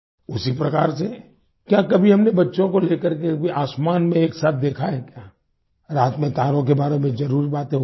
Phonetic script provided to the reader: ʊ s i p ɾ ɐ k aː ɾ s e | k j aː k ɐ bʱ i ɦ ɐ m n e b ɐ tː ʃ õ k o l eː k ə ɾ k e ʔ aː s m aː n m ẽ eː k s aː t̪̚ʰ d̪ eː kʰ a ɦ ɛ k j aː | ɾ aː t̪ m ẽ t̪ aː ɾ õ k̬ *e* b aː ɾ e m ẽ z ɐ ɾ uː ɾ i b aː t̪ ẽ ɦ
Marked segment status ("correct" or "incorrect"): correct